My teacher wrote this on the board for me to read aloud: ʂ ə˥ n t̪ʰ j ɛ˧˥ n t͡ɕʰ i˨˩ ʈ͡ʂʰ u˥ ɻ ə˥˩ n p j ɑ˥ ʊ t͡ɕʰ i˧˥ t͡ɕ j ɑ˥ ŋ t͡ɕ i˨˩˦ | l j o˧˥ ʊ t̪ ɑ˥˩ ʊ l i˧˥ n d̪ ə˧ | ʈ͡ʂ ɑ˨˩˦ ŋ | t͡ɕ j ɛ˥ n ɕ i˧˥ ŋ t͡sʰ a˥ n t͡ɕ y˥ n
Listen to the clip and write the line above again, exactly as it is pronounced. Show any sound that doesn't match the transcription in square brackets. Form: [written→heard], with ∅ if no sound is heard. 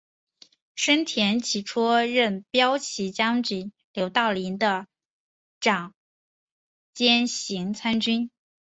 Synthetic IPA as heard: ʂ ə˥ n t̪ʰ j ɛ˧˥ n t͡ɕʰ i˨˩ ʈ͡ʂʰ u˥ ɻ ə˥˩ n p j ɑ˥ ʊ t͡ɕʰ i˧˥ t͡ɕ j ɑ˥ ŋ t͡ɕ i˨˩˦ | l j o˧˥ ʊ t̪ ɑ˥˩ ʊ l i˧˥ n d̪ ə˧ | ʈ͡ʂ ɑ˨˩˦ ŋ | t͡ɕ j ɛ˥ n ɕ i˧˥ ŋ t͡sʰ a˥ n t͡ɕ y˥ n